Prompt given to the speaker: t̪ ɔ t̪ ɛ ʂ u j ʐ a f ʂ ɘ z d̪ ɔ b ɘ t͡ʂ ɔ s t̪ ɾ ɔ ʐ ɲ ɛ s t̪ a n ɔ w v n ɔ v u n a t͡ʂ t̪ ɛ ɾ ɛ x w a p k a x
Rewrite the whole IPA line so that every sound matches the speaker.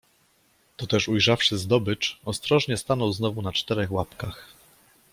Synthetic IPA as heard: t̪ ɔ t̪ ɛ ʂ u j ʐ a f ʂ ɘ z d̪ ɔ b ɘ t͡ʂ ɔ s t̪ ɾ ɔ ʐ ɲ ɛ s t̪ a n ɔ w z n ɔ v u n a t͡ʂ t̪ ɛ ɾ ɛ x w a p k a x

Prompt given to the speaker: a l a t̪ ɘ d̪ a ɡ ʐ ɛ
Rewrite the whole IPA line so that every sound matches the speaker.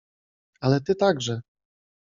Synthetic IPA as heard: a l ɛ t̪ ɘ t̪ a ɡ ʐ ɛ

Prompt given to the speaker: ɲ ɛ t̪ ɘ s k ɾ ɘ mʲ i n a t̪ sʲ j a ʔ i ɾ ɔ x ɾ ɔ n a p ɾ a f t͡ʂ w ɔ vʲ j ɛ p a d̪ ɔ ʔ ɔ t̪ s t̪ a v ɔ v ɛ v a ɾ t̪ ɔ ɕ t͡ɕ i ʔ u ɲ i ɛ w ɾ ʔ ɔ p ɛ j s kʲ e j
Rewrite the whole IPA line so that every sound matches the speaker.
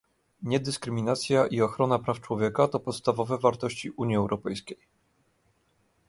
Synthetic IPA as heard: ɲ ɛ d̪ ɘ s k ɾ ɘ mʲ i n a t̪ sʲ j a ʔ i ɔ x ɾ ɔ n a p ɾ a f t͡ʂ w ɔ vʲ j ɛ k a t̪ ɔ p ɔ t̪ s t̪ a v ɔ v ɛ v a ɾ t̪ ɔ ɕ t͡ɕ i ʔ u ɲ i ɛ w ɾ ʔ ɔ p ɛ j s kʲ e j

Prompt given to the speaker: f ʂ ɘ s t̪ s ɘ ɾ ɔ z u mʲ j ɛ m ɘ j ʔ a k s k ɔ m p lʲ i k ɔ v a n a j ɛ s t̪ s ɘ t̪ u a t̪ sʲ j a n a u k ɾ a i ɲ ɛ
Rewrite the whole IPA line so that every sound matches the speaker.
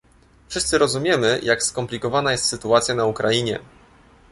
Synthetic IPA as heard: f ʂ ɘ s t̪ s ɘ ɾ ɔ z u mʲ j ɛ m ɘ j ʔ a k s k ɔ m p lʲ i k ɔ v a n a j ɛ s t̪ s ɘ t̪ u a t̪ sʲ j a n a u k ɾ a i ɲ ɛ

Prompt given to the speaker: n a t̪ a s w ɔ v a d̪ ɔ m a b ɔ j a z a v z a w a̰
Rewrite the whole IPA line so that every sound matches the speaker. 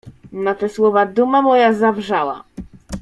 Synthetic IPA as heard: n a t̪ ɛ s w ɔ v a d̪ u m a m ɔ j a z a v ʐ a w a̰

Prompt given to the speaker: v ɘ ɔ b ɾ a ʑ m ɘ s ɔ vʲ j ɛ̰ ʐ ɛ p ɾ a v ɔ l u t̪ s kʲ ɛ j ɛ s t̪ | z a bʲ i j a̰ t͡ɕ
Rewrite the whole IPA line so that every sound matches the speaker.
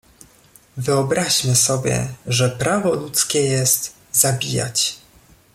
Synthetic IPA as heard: v ɘ ɔ b ɾ a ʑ m ɘ s ɔ bʲ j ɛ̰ ʐ ɛ p ɾ a v ɔ l u t̪ s kʲ ɛ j ɛ s t̪ | z a bʲ i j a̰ t͡ɕ

